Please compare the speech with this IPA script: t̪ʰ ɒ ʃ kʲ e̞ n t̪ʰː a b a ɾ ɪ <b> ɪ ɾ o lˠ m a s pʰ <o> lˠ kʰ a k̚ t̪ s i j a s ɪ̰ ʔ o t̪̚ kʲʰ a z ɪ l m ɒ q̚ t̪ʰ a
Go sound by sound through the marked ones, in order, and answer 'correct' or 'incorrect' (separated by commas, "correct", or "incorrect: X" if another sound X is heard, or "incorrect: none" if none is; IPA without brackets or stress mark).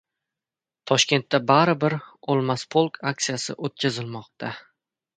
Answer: correct, correct